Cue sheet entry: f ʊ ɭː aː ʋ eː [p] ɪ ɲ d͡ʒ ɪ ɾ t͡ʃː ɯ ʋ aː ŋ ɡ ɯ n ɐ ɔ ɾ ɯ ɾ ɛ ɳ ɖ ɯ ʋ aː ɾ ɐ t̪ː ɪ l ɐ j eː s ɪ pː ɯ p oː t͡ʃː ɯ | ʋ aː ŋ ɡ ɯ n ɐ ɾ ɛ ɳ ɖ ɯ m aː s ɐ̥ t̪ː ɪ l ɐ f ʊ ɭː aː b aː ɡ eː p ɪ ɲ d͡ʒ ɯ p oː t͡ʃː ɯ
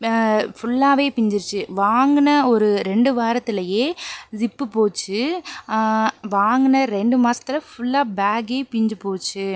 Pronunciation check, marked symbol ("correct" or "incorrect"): correct